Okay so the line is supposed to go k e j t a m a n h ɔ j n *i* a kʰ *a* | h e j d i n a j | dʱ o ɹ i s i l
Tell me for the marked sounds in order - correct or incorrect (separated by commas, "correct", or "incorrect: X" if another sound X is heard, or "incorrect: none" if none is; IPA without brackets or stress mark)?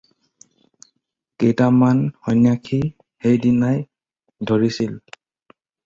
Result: incorrect: j, incorrect: i